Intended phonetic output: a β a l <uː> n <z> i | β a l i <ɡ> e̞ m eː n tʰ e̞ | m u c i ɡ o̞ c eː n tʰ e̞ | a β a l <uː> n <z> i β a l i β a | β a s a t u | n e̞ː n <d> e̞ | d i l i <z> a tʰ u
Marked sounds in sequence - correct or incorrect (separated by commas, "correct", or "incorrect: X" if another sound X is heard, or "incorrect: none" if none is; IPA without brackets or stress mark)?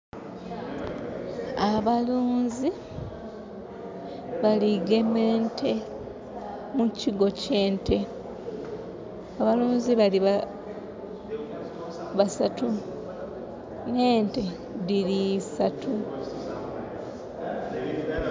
correct, correct, correct, correct, correct, incorrect: t, incorrect: s